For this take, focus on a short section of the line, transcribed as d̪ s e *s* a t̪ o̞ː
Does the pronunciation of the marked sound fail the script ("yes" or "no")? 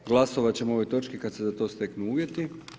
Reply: yes